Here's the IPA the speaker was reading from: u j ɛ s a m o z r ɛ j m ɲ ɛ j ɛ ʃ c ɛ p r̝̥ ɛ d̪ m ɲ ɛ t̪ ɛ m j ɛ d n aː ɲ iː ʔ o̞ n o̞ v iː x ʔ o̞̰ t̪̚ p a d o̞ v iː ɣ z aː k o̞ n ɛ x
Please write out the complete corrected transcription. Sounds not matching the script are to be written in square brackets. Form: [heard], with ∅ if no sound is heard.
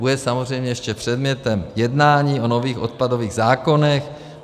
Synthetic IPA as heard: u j ɛ s a m o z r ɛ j m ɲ ɛ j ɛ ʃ c ɛ p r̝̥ ɛ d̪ m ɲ ɛ t̪ ɛ m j ɛ d n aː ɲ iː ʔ o̞ n o̞ v iː x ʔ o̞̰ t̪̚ p a d o̞ v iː ɣ z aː k o̞ n ɛ x